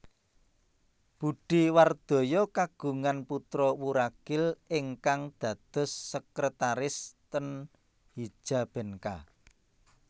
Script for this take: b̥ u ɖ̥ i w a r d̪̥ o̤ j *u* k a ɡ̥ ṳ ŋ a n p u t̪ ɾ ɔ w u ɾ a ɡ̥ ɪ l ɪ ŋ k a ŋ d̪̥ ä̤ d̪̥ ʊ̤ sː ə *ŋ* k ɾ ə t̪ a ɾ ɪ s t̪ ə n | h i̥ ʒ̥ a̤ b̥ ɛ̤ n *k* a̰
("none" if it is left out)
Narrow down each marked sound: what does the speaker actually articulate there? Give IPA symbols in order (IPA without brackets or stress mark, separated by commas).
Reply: ɔ, none, k